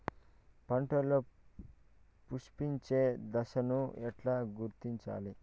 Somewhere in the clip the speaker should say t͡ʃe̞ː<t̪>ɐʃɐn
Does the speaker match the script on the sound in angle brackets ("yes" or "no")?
no